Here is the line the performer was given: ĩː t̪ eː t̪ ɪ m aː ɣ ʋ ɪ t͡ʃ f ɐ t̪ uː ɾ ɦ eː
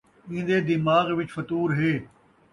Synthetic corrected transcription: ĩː d̪ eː d̪ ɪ m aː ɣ ʋ ɪ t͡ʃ f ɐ t̪ uː ɾ ɦ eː